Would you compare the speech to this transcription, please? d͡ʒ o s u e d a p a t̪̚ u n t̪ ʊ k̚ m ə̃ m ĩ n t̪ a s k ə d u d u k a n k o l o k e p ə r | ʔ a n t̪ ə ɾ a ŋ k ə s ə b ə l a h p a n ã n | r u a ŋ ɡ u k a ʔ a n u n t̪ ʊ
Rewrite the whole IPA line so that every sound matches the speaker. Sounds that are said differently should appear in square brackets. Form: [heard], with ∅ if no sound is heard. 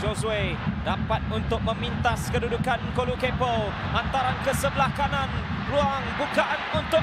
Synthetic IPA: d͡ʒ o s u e d a p a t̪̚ u n t̪ ʊ k̚ m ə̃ m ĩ n t̪ a s k ə d u d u k a n k o l [u] k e p ə [l] | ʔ a n t̪ [a] ɾ a [n] k ə s ə b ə l a h [k] a n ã n | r u a ŋ [b] u k a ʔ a n u n t̪ ʊ